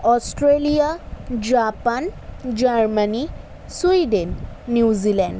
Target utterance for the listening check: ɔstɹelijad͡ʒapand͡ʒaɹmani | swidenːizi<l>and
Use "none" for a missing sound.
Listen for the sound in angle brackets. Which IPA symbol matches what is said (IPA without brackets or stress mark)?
l